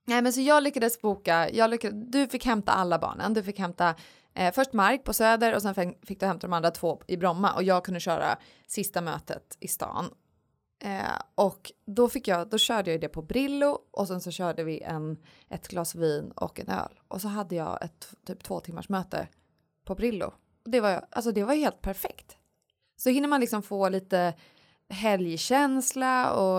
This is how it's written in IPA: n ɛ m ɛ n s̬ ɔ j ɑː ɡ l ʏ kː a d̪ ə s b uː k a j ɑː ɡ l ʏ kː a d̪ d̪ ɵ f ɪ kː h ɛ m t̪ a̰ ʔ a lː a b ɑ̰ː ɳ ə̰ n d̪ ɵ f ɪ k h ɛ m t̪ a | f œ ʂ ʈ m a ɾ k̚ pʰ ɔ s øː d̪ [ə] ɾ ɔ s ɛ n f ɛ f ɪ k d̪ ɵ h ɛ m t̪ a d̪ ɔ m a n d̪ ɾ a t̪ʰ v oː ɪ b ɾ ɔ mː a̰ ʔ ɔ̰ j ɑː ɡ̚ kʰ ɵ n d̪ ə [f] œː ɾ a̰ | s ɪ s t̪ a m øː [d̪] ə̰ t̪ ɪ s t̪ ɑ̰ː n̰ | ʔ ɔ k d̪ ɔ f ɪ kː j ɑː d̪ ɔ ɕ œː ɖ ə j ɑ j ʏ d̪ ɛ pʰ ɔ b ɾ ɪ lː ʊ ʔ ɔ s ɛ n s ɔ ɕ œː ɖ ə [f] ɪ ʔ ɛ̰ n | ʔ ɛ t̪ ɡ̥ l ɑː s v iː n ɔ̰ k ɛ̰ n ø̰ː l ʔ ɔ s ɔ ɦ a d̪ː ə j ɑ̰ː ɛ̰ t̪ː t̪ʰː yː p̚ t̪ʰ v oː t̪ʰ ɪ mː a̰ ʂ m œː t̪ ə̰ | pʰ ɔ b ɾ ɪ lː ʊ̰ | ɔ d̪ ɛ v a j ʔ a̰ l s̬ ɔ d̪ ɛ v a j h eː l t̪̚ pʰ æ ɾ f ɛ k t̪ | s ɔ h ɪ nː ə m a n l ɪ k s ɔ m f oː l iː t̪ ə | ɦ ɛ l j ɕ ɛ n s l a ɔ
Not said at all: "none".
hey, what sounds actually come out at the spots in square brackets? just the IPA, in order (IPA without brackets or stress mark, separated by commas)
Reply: ə, ɕ, t̪, v